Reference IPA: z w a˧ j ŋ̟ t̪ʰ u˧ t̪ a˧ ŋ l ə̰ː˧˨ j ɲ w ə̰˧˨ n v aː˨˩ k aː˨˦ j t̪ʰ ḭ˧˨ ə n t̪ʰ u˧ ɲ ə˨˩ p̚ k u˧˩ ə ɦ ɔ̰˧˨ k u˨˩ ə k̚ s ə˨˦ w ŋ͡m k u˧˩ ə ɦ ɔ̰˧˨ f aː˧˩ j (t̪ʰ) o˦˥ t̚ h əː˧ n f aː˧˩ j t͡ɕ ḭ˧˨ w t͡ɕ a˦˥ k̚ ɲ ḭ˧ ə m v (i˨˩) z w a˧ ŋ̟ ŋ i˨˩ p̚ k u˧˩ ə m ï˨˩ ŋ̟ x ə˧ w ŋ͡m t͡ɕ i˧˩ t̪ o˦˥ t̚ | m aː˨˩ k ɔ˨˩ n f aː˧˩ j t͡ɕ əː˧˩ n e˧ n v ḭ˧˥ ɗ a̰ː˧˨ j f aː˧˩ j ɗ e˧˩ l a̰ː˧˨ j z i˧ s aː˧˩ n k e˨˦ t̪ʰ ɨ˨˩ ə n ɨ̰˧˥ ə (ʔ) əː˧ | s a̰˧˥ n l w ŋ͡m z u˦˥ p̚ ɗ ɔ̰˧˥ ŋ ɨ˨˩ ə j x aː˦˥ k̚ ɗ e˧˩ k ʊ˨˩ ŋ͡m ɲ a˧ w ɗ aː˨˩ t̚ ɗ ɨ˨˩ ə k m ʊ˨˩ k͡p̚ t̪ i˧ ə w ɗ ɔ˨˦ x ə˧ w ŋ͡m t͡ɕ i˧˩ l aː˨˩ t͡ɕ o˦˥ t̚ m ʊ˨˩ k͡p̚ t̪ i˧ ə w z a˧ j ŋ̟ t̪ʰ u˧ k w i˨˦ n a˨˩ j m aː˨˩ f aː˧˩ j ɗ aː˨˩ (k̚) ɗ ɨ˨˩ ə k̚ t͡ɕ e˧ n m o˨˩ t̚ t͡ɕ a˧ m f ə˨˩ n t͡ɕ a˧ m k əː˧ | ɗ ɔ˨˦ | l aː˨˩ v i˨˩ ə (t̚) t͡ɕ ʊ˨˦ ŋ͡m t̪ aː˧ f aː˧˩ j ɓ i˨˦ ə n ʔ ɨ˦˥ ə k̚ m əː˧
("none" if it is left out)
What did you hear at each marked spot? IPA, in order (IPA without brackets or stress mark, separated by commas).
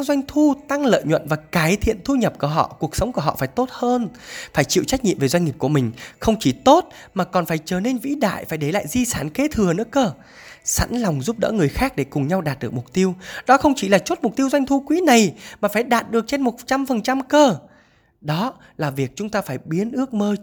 t̪, e˨˩, k, t̚, k̚